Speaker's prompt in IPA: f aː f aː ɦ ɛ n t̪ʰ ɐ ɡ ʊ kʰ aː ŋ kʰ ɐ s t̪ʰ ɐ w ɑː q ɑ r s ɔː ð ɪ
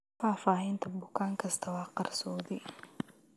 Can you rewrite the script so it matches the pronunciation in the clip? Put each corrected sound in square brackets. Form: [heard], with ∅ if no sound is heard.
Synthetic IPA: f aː f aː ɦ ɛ n t̪ʰ ɐ [b] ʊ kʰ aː ŋ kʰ ɐ s t̪ʰ ɐ w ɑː q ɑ r s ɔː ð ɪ